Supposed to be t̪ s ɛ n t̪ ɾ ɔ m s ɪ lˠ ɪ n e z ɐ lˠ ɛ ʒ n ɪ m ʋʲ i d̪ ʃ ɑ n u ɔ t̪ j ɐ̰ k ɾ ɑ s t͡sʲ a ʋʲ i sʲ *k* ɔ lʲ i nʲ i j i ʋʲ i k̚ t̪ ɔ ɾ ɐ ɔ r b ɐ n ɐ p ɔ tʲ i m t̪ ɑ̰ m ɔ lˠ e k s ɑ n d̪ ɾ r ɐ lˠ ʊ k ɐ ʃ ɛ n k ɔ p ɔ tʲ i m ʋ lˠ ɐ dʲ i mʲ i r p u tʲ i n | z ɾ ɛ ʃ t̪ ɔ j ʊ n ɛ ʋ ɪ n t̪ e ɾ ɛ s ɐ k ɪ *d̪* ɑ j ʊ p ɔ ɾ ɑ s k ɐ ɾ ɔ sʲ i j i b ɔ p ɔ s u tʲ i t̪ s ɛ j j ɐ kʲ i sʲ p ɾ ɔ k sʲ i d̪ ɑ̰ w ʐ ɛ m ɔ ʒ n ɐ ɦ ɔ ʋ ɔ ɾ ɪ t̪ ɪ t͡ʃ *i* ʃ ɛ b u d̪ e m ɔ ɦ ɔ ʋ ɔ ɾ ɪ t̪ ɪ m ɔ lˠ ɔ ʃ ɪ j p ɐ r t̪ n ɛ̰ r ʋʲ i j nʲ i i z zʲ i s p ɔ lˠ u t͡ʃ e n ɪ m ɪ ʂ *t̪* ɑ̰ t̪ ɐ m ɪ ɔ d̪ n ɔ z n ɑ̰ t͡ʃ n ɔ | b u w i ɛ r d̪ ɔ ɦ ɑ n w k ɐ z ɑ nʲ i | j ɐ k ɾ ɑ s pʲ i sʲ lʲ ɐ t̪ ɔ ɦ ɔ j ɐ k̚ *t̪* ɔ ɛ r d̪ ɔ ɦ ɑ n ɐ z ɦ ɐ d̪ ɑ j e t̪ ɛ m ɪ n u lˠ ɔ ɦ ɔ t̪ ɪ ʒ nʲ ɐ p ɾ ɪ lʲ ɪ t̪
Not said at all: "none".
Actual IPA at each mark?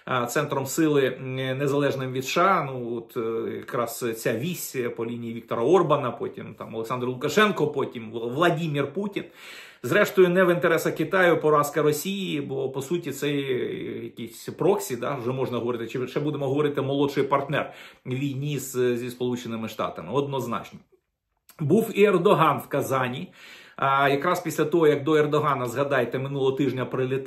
p, t̪, ɪ, t̪, d̪

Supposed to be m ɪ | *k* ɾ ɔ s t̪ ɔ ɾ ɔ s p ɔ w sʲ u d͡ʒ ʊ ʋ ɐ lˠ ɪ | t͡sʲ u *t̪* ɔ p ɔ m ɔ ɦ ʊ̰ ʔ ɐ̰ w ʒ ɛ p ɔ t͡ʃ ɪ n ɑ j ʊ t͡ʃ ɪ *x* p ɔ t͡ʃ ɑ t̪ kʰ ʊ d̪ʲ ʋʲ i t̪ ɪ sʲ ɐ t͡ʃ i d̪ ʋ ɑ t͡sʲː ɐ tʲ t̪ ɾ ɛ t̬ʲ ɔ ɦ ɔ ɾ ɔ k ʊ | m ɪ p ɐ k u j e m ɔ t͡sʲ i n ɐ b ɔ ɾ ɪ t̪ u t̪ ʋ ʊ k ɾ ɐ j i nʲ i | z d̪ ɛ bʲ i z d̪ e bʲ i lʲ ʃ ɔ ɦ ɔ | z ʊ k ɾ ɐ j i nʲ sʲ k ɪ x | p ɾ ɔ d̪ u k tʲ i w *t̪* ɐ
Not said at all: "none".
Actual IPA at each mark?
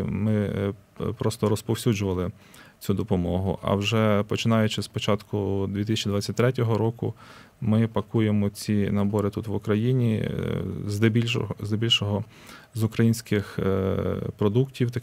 p, d̪, s, t̪

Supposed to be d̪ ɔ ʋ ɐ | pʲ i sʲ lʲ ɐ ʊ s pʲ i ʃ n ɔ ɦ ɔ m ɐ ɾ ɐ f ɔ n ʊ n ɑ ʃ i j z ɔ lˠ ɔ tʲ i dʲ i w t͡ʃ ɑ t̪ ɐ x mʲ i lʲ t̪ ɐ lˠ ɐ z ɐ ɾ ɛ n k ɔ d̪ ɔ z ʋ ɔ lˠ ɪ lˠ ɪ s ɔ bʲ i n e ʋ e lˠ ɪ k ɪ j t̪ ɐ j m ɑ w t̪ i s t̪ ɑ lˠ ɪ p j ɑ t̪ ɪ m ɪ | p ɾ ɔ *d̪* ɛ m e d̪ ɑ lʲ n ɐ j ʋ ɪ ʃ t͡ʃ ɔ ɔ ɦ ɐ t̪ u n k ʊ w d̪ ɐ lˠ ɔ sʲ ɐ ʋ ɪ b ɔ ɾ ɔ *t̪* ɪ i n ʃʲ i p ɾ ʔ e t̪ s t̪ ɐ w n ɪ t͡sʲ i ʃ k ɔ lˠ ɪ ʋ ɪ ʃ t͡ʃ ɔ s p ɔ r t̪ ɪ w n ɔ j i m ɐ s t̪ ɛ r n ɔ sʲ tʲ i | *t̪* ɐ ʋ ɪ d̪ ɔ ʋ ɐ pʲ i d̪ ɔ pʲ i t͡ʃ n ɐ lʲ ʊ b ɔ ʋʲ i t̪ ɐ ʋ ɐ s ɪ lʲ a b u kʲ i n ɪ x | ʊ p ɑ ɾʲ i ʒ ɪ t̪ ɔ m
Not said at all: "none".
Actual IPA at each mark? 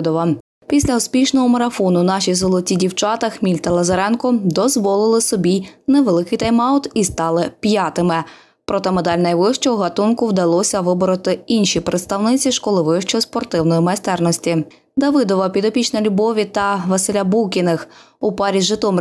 t̪, t̪, d̪

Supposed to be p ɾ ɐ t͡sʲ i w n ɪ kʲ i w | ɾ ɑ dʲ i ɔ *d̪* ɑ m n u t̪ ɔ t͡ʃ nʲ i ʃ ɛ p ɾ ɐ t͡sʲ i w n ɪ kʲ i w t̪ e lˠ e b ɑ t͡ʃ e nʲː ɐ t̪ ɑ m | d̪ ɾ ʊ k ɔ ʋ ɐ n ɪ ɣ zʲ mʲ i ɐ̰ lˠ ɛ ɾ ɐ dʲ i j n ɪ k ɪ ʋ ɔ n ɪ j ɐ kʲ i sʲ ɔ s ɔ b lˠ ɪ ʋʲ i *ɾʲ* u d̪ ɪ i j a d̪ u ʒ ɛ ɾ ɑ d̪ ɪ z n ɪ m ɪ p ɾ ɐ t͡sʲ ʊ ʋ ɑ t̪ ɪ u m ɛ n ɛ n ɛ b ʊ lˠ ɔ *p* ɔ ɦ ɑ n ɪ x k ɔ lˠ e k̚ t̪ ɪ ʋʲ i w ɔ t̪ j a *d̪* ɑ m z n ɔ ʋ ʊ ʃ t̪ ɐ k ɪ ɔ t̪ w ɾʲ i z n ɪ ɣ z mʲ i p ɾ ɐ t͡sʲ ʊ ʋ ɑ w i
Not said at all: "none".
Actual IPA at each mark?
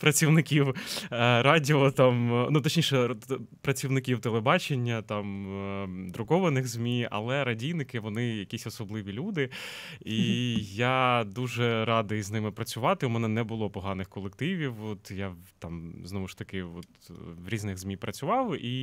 t̪, lʲ, p, t̪

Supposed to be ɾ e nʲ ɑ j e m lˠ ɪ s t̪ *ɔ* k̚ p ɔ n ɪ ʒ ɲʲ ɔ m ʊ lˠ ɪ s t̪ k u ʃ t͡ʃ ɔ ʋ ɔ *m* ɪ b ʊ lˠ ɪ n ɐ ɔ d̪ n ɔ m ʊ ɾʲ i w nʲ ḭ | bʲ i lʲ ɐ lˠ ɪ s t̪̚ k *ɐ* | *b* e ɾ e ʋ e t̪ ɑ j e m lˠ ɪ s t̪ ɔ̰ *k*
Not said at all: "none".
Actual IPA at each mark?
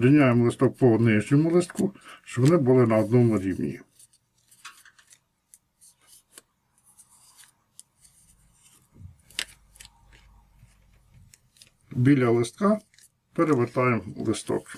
ɔ, n, ɑ, p, k

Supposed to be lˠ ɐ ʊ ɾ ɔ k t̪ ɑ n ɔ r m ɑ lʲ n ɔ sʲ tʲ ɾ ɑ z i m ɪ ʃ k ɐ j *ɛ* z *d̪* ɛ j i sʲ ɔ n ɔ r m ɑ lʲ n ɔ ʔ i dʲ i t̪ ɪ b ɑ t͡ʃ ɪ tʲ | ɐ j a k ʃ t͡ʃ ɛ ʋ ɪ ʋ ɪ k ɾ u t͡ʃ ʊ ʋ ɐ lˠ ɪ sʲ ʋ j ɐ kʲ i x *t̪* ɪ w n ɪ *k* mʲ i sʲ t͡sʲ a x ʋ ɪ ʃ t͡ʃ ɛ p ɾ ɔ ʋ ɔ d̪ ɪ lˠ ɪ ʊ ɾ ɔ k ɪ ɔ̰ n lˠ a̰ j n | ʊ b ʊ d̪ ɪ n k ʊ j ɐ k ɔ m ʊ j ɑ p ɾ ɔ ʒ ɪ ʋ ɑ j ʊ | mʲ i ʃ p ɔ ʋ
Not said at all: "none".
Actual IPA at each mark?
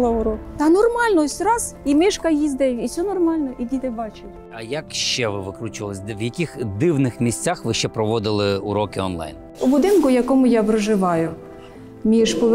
i, d̪, d̪, x

